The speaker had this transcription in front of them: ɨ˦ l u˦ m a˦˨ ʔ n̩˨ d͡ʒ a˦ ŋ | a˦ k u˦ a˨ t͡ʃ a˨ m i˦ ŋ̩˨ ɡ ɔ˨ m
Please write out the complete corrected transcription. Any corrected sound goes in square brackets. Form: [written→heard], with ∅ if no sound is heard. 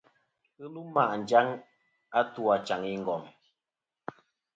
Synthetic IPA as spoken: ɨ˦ l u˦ m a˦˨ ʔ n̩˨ d͡ʒ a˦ ŋ | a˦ [k→t] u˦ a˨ t͡ʃ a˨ [m→ŋ] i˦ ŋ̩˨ ɡ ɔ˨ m